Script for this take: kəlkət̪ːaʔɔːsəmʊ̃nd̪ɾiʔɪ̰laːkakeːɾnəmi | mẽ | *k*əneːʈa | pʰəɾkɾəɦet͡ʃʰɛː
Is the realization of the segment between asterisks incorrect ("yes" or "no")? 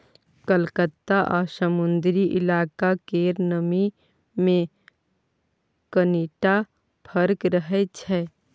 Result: no